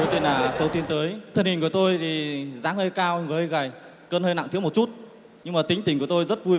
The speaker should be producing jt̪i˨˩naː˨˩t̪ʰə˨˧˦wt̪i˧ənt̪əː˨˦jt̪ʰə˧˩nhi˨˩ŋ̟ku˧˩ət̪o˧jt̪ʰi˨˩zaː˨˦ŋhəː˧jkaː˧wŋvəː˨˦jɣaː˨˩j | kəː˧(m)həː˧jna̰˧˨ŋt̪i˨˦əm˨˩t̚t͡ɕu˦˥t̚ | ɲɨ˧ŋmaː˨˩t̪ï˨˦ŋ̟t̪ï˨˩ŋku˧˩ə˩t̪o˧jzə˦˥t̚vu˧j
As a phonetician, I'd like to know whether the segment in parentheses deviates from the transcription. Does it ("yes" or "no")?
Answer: yes